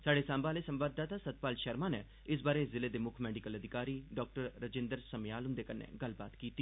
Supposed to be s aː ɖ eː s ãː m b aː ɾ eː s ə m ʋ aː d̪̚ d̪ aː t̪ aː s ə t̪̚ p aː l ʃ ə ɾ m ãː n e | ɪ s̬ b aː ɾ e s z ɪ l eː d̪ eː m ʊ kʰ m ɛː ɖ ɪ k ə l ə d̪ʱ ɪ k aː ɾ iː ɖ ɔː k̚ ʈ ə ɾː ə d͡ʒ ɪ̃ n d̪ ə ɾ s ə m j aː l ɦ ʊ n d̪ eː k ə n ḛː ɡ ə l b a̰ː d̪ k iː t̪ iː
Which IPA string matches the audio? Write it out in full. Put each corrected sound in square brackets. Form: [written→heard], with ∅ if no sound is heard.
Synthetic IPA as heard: s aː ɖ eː s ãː m b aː [ɾ→l] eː s ə m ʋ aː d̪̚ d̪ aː t̪ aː s ə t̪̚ p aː l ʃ ə ɾ m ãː n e | ɪ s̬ b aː ɾ e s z ɪ l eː d̪ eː m ʊ kʰ m ɛː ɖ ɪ k ə l ə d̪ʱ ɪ k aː ɾ iː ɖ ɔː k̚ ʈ ə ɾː ə d͡ʒ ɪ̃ n d̪ ə ɾ s ə m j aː l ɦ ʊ n d̪ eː k ə n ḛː ɡ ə l b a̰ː [d̪→t̪] k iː t̪ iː